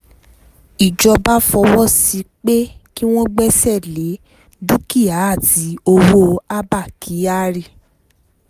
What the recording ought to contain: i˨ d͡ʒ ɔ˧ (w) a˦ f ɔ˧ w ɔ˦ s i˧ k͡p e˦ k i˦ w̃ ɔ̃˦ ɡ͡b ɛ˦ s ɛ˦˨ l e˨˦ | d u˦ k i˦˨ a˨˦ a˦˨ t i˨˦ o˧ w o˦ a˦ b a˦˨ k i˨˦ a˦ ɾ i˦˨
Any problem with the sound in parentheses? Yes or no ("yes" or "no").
yes